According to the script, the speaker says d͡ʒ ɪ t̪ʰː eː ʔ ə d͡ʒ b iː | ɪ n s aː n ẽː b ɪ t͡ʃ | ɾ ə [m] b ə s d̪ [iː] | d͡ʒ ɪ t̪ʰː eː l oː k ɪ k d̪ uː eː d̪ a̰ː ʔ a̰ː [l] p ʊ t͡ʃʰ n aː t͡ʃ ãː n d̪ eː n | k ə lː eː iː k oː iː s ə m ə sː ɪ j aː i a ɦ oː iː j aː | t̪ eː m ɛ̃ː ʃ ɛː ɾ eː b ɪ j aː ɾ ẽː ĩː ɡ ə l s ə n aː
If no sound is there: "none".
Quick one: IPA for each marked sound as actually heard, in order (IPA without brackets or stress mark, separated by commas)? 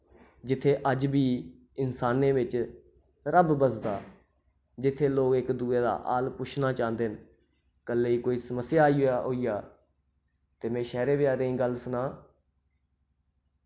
b, aː, l